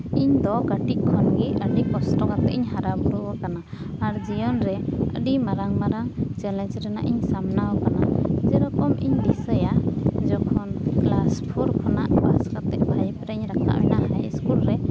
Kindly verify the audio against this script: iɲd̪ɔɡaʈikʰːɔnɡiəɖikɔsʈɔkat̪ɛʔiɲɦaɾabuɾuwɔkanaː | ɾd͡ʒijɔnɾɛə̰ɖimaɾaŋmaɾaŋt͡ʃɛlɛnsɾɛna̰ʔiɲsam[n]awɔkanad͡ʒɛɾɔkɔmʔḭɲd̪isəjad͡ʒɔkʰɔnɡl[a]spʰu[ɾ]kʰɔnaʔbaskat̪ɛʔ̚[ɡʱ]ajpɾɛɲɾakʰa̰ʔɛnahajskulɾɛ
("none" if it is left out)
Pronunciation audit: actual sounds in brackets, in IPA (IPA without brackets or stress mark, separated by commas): n, a, ɾ, bʱ